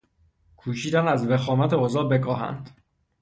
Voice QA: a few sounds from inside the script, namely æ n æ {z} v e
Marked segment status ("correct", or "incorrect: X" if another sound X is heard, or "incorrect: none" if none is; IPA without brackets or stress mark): correct